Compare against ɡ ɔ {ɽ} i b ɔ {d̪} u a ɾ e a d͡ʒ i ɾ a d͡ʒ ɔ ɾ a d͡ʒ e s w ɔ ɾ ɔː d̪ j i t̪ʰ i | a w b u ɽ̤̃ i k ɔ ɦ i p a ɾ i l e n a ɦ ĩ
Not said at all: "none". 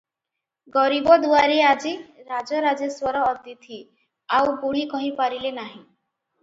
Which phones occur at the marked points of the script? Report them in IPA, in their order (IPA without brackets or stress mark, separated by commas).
ɾ, d̪